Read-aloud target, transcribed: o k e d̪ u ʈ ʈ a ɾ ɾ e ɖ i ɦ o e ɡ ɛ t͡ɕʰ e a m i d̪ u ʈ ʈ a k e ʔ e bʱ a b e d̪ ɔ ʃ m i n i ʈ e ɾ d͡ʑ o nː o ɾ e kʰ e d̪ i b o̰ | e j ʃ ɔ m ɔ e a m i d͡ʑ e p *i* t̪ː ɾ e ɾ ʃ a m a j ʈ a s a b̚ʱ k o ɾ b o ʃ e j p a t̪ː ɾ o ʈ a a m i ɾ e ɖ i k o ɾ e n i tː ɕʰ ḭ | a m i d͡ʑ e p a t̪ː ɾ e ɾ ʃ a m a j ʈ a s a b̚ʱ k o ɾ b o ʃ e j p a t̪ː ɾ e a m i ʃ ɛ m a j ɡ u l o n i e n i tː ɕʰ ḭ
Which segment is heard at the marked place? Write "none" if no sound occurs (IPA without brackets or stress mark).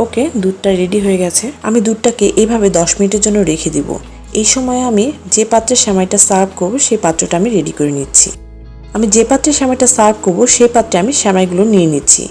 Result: a